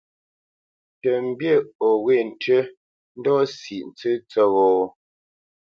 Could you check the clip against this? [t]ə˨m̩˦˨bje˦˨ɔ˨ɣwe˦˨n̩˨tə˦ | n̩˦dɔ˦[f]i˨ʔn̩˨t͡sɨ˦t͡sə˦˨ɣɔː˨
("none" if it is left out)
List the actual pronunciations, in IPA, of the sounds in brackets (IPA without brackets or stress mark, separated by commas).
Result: t, s